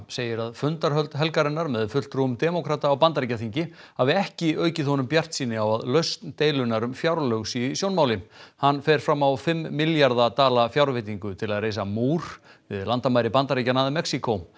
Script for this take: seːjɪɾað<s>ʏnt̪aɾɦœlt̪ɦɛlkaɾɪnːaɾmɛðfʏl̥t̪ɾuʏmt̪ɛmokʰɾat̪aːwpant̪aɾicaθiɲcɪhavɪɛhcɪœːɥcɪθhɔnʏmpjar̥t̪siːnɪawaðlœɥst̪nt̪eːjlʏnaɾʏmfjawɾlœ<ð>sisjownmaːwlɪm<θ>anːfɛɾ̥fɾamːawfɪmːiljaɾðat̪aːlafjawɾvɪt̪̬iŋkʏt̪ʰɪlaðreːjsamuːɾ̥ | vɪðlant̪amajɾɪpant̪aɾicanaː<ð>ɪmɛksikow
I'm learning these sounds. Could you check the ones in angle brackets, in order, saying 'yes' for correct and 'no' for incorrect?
no, no, no, yes

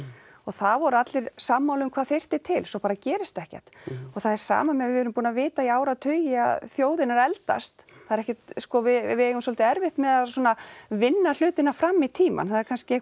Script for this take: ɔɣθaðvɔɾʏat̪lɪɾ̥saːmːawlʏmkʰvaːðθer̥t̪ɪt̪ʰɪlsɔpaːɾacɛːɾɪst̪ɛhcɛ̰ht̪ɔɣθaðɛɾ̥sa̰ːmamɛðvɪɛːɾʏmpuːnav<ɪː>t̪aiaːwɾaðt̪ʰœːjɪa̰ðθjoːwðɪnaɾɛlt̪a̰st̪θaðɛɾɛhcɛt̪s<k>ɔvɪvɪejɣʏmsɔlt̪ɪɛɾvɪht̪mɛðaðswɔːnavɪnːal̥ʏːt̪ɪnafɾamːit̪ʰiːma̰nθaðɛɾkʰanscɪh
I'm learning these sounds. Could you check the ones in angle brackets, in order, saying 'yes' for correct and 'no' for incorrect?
yes, yes

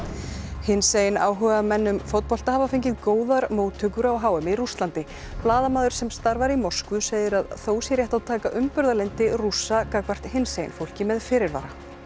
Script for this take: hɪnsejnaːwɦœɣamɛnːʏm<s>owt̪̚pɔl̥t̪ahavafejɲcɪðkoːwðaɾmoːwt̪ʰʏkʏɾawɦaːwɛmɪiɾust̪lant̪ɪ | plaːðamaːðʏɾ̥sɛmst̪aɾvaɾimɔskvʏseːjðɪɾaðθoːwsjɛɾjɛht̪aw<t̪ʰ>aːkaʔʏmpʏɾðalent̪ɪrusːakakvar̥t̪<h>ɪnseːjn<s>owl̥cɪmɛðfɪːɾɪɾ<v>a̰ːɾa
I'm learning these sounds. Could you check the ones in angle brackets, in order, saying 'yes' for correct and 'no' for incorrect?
no, yes, yes, no, yes

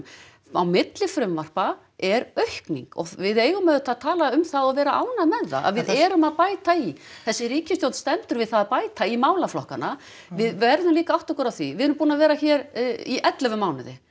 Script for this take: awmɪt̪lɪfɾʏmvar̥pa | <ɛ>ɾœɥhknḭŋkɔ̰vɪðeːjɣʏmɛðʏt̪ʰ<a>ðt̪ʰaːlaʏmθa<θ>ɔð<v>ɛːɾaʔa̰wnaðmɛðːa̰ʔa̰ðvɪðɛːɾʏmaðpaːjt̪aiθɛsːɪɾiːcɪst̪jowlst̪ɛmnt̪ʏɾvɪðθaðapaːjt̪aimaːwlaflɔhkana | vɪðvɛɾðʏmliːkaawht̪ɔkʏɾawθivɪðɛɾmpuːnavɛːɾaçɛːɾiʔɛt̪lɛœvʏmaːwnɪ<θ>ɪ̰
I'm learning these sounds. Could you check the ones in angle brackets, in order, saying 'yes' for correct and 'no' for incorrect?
yes, yes, no, yes, no

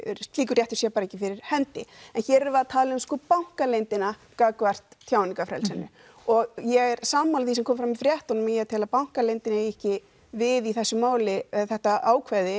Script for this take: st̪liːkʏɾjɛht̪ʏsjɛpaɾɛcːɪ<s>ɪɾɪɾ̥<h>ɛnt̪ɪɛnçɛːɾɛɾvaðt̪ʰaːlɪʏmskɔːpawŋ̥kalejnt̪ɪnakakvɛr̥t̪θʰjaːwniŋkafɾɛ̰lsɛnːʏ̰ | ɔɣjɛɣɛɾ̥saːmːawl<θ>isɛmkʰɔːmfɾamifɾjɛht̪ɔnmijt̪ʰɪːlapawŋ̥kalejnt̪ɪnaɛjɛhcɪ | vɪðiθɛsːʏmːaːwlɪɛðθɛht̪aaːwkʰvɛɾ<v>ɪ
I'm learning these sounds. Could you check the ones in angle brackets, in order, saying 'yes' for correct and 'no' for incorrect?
no, yes, yes, no

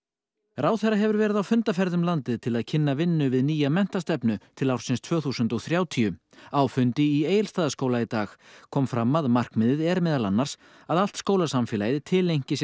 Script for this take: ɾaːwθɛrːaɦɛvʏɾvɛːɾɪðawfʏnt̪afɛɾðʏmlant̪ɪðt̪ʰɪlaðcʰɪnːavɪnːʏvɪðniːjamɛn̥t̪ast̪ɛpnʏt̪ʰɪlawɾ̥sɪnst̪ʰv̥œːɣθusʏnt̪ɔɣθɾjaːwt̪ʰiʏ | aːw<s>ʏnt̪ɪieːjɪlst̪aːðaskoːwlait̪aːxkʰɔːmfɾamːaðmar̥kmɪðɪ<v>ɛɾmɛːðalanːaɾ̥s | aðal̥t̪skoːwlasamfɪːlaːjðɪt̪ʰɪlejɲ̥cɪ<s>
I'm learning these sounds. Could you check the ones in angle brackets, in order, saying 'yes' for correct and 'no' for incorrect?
no, no, yes

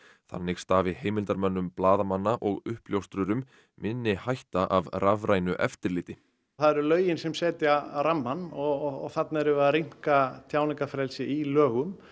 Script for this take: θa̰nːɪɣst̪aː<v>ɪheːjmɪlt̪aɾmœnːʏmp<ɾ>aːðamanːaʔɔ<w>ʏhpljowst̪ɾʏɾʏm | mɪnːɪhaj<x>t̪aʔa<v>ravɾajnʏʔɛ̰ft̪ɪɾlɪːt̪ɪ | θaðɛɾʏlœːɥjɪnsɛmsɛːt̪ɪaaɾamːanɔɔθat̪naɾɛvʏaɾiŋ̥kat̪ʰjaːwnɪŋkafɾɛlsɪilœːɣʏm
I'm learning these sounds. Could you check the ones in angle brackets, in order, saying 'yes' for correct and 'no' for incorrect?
yes, no, no, no, yes

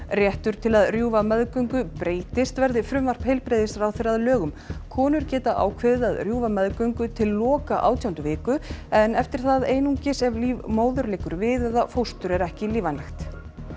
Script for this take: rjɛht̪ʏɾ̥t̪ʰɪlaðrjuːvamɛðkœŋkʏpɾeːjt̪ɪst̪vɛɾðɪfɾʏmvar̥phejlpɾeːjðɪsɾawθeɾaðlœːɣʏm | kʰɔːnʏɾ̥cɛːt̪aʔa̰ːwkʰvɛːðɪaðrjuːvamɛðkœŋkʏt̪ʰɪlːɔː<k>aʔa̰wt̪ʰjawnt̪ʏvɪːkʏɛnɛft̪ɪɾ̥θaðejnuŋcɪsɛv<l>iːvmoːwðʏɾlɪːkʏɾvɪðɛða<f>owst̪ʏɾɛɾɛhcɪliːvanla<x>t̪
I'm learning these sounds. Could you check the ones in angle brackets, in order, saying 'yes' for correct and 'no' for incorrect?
yes, yes, yes, yes

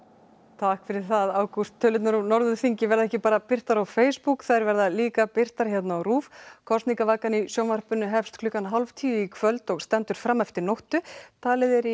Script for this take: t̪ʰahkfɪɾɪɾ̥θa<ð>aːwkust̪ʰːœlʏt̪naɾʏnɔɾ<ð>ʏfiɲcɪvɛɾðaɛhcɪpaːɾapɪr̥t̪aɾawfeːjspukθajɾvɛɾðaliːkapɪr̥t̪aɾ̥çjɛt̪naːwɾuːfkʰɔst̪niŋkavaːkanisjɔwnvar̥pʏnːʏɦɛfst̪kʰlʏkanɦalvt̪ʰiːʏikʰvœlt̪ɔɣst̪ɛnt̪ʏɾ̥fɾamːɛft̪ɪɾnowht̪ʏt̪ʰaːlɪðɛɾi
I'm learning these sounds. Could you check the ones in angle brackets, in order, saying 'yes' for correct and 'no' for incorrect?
yes, yes

